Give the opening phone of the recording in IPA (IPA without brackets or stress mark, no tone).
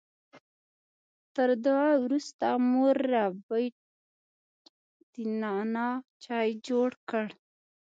t̪